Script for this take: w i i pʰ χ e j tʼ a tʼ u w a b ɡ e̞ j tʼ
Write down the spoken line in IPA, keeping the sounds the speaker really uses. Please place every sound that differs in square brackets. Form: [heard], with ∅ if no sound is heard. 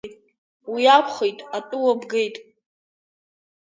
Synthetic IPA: w i [a] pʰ χ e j tʼ a tʼ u w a b ɡ e̞ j tʼ